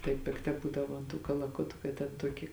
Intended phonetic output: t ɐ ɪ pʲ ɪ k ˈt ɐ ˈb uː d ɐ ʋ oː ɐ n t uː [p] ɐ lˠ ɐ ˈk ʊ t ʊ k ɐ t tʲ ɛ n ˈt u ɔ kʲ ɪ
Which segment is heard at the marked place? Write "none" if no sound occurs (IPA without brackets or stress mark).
k